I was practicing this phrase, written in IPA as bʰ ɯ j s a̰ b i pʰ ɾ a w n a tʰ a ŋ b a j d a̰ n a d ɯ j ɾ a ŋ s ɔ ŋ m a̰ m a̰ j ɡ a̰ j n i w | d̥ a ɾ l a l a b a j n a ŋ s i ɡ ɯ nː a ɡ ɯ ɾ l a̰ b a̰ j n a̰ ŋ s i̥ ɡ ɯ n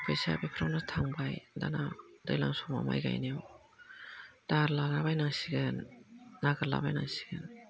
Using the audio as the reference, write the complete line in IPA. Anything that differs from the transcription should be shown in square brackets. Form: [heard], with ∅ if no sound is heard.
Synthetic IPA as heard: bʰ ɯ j s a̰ b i pʰ ɾ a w n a tʰ a ŋ b a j d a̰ n a d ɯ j [l] a ŋ s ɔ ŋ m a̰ m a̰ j ɡ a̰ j n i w | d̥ a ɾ l a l a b a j n a ŋ s i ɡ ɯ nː a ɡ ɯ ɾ l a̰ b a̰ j n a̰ ŋ s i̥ ɡ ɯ n

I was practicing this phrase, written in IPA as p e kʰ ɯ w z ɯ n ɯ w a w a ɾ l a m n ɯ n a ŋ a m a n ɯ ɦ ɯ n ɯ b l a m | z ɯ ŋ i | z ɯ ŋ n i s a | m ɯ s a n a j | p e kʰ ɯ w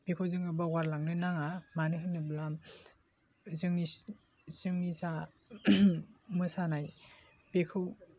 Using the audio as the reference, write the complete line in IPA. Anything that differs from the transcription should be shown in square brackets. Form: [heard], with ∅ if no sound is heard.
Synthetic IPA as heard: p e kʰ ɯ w z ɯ [ŋ] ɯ [b] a w a ɾ l a [ŋ] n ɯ n a ŋ a m a n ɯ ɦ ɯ n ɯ b l a m | z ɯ ŋ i | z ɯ ŋ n i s a | m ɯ s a n a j | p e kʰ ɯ w

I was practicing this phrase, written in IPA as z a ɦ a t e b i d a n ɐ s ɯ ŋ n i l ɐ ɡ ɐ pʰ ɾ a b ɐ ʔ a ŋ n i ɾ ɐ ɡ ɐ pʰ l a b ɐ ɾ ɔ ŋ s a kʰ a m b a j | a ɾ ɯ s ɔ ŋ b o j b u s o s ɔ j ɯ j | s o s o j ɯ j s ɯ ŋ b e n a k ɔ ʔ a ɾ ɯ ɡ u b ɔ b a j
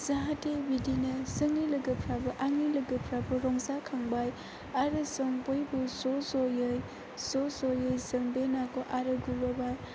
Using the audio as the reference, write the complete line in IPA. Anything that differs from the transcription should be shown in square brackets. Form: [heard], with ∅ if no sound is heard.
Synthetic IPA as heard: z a ɦ a t e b i d [i] n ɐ s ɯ ŋ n i l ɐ ɡ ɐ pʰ ɾ a b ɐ ʔ a ŋ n i [l] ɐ ɡ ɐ pʰ [ɾ] a b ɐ ɾ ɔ ŋ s a kʰ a [ŋ] b a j | a ɾ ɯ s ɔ ŋ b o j b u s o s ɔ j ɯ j | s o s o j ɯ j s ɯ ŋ b e n a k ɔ ʔ a ɾ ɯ ɡ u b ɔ b a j

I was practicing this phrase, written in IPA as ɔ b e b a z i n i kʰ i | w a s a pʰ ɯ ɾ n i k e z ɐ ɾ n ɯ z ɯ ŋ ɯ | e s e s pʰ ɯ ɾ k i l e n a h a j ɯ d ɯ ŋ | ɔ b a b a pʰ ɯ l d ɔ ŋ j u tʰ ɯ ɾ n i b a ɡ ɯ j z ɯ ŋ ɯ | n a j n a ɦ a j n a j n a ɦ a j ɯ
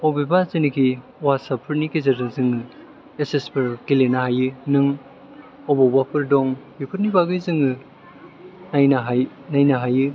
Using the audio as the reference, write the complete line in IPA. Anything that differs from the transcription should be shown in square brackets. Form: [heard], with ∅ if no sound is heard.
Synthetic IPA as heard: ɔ b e b a z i n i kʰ i | w a s a pʰ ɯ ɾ n i k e z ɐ ɾ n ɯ z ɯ ŋ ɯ | e s e s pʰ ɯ ɾ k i l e n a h a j ɯ [n] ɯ ŋ | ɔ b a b a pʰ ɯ [ɾ] d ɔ ŋ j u [pʰ] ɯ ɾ n i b a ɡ ɯ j z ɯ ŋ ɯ | n a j n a ɦ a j n a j n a ɦ a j ɯ

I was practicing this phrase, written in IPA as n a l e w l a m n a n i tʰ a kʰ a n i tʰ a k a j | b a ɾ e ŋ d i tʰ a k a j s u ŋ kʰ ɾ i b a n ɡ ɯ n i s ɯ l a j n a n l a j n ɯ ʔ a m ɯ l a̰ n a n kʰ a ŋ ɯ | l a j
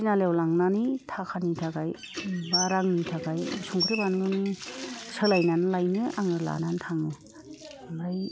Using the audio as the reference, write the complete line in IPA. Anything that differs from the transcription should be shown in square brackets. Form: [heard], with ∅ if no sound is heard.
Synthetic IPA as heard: n a l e w l a [ŋ] n a n i tʰ a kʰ a n i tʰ a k a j | b a ɾ [a] ŋ [n] i tʰ a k a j s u ŋ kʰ ɾ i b a n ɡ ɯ n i s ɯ l a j n a n l a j n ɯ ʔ a [ŋ] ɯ l a̰ n a n [tʰ] a ŋ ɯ | l a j

